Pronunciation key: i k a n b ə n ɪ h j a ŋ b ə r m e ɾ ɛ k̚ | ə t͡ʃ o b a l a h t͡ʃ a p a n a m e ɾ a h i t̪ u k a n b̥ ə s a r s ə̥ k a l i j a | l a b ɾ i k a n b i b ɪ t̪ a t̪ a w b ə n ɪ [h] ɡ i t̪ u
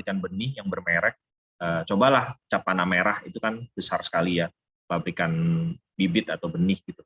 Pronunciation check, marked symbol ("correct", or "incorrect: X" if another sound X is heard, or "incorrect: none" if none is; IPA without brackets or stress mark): correct